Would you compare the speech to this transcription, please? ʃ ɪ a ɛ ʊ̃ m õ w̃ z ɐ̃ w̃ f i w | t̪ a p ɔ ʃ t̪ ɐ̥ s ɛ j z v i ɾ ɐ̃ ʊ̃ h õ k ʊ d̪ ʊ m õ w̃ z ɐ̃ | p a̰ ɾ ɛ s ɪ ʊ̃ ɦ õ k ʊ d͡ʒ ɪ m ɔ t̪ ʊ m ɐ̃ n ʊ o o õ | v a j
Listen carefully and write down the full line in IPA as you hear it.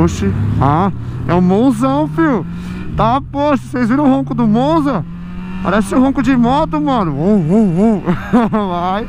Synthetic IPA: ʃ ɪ a ɛ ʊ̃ m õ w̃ z ɐ̃ w̃ f i w | t̪ a p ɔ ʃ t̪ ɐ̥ s e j z v i ɾ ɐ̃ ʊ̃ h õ k ʊ d̪ ʊ m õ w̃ z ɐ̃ | p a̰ ɾ ɛ s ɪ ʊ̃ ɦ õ k ʊ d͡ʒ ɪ m ɔ t̪ ʊ m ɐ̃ n ʊ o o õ | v a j